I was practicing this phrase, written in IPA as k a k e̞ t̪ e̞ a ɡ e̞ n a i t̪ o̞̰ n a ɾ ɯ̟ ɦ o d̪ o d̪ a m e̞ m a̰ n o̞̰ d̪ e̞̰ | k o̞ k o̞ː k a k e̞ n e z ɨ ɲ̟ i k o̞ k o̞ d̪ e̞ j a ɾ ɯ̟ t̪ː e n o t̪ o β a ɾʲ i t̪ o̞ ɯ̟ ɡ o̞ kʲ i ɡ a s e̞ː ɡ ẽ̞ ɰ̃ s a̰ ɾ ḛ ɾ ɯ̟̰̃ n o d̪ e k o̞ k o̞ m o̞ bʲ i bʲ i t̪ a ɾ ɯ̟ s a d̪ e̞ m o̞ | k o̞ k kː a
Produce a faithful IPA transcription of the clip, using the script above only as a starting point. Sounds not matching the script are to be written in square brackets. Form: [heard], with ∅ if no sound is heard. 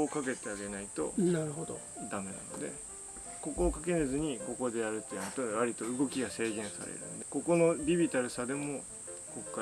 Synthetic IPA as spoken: k a k e̞ t̪ e̞ a ɡ e̞ n a i t̪ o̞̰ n a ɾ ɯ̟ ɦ o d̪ o d̪ a m e̞ [n] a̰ n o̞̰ d̪ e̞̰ | k o̞ k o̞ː k a k e̞ n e z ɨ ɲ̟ i k o̞ k o̞ d̪ e̞ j a ɾ ɯ̟ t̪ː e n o t̪ o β a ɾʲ i t̪ o̞ ɯ̟ ɡ o̞ kʲ i ɡ a s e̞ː ɡ ẽ̞ ɰ̃ s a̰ ɾ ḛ ɾ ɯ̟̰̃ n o d̪ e k o̞ k o̞ [n] o̞ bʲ i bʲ i t̪ a ɾ ɯ̟ s a d̪ e̞ m o̞ | k o̞ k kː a